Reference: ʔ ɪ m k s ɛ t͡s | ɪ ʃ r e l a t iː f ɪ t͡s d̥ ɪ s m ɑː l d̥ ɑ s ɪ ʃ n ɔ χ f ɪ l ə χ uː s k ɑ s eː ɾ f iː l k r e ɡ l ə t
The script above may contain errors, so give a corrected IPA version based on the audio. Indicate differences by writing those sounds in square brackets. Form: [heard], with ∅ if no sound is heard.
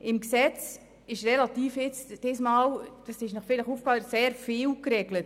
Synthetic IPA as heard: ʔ ɪ m k s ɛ t͡s | ɪ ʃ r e l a t iː f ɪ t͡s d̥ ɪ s m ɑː l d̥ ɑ s ɪ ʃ n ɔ χ f ɪ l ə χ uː [f] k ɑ s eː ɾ f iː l k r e ɡ l ə t